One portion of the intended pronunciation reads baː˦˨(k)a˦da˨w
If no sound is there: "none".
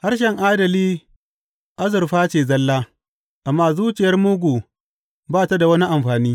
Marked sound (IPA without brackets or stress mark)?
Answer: t